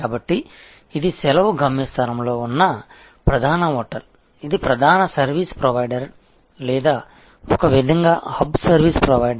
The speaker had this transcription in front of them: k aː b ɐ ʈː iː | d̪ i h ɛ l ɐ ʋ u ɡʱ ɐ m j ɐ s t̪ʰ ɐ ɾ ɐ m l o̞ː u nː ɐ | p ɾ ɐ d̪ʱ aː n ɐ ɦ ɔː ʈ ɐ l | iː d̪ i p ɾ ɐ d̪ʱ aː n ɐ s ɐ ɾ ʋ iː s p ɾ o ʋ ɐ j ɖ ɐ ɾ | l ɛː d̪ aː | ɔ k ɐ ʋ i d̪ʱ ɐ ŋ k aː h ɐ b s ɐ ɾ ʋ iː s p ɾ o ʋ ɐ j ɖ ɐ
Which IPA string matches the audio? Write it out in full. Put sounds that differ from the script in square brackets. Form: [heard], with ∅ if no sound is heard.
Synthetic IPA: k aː b ɐ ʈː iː | d̪ i [s] ɛ l ɐ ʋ u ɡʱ ɐ m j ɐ s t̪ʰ ɐ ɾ ɐ m l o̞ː u nː ɐ | p ɾ ɐ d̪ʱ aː n ɐ ɦ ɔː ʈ ɐ l | [i] d̪ i p ɾ ɐ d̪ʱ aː n ɐ s ɐ ɾ ʋ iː s p ɾ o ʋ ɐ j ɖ ɐ ɾ | l ɛː d̪ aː | ɔ k ɐ ʋ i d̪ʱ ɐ ŋ [ɡ] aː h ɐ b s ɐ ɾ ʋ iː s p ɾ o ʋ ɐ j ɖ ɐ